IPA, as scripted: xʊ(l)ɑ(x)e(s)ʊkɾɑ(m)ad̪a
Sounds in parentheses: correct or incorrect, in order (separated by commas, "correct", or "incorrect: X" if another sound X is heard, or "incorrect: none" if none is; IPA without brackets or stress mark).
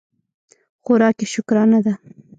incorrect: ɾ, incorrect: k, incorrect: ʃ, incorrect: n